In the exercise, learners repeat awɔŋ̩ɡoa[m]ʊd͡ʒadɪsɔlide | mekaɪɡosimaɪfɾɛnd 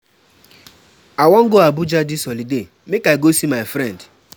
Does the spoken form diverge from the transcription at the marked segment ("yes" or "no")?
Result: yes